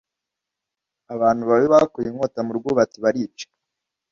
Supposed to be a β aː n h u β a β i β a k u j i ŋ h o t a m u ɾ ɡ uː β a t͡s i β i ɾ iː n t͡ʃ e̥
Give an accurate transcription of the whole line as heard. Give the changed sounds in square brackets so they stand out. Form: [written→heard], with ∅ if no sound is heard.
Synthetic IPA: a β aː n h u β a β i β a k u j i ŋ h o t a m u ɾ ɡ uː β a t͡s i β [i→a] ɾ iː [n→∅] t͡ʃ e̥